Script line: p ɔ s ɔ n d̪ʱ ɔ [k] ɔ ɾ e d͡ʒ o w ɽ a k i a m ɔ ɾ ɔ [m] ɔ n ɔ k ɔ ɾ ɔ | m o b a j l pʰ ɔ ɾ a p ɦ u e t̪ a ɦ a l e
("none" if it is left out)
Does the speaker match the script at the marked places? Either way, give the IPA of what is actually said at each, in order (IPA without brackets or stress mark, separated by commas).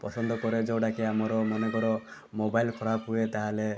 k, m